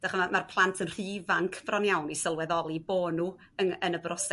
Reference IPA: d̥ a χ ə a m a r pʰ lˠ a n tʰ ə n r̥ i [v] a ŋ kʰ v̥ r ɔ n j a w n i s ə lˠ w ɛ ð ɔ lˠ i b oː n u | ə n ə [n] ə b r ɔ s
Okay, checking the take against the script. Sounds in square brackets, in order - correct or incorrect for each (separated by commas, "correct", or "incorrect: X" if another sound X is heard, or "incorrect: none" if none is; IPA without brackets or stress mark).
correct, correct